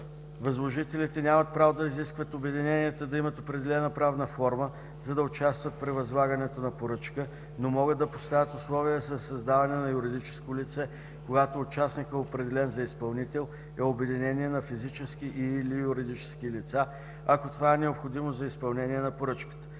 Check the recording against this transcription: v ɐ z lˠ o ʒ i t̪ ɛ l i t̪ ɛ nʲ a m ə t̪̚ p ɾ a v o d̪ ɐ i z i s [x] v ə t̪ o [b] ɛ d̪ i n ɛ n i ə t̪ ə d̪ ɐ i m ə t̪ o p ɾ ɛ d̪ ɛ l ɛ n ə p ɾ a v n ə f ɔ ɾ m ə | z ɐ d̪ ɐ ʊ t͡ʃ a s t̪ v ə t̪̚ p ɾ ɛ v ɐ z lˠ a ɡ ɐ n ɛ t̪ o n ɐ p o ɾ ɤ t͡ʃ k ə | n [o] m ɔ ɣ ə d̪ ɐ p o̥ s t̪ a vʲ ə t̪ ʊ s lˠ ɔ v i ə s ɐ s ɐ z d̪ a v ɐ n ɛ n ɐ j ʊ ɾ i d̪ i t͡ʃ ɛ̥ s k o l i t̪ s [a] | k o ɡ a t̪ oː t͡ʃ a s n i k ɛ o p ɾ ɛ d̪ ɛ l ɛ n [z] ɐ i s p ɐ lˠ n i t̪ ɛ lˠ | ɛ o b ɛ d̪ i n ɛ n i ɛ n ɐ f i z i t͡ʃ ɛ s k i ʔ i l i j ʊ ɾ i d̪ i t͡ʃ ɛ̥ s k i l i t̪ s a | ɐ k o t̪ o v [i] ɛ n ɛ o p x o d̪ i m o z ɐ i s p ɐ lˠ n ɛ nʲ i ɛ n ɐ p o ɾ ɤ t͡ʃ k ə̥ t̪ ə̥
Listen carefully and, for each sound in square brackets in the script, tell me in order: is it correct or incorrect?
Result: incorrect, correct, correct, incorrect, correct, incorrect

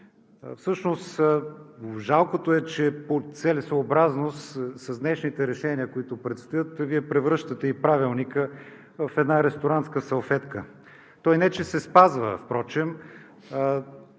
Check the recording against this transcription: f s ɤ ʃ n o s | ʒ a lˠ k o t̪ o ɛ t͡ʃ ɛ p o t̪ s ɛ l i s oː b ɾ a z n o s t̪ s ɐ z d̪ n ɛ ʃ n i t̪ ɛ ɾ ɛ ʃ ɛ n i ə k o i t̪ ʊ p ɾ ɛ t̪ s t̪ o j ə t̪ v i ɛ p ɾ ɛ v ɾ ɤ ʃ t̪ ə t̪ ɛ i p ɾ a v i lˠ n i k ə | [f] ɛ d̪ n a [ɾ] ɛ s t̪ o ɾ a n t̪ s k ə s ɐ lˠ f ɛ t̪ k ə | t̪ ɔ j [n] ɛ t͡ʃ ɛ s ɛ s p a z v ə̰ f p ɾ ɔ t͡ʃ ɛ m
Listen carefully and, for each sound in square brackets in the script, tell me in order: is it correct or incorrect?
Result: correct, correct, correct

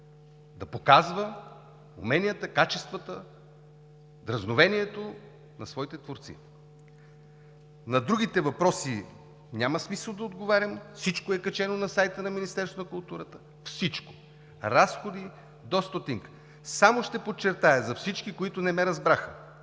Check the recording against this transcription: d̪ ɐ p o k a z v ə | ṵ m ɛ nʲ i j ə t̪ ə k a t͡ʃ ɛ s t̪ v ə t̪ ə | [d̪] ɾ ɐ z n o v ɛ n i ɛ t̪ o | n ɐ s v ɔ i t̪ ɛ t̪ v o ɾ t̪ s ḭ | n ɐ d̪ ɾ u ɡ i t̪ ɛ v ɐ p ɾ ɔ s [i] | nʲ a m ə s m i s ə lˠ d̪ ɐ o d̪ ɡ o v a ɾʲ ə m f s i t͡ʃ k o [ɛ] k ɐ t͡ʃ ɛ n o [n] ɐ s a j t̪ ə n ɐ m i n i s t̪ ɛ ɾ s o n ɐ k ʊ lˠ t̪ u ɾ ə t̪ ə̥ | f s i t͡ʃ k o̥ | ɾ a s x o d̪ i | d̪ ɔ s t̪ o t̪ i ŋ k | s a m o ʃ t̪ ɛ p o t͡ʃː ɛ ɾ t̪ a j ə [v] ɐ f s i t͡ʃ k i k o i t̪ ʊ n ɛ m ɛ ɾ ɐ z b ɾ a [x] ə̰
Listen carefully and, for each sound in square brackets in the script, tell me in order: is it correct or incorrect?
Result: correct, correct, correct, correct, incorrect, correct

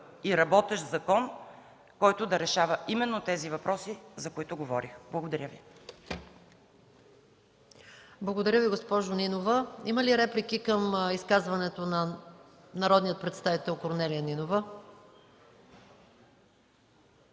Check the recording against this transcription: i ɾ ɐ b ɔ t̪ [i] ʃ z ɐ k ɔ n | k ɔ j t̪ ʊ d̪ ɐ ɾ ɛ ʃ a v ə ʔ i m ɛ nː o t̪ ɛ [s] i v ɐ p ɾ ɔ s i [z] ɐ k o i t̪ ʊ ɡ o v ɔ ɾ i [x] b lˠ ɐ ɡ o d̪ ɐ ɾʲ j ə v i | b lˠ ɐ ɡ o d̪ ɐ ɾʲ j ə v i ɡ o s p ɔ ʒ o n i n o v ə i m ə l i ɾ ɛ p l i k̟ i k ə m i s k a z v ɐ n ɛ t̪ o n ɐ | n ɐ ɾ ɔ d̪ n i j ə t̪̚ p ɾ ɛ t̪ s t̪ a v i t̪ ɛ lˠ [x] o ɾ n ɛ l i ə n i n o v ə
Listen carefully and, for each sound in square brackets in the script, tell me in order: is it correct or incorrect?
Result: incorrect, incorrect, correct, correct, incorrect

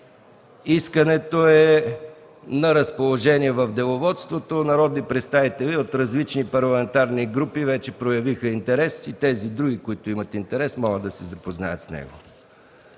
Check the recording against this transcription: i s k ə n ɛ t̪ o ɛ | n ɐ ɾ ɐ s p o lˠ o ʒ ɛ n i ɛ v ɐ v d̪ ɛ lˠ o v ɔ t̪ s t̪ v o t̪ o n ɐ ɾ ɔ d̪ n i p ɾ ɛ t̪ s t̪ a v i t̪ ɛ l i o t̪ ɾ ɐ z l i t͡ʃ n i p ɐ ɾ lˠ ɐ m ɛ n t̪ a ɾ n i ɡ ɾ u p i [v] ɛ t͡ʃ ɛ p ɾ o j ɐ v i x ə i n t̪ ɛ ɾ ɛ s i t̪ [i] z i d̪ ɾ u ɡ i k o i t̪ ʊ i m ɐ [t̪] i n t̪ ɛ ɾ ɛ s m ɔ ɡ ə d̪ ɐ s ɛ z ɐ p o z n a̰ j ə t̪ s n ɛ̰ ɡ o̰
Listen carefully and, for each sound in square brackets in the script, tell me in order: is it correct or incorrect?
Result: correct, incorrect, correct

